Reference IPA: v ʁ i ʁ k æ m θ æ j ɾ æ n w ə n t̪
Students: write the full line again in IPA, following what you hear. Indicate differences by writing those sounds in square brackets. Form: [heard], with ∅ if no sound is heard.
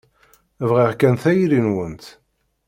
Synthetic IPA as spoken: v ʁ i ʁ k æ [n] θ æ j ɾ [i] n w ə n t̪